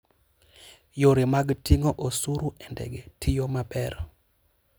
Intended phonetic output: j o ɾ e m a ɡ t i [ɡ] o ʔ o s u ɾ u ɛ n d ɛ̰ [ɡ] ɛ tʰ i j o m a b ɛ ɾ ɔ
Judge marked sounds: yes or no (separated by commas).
no, yes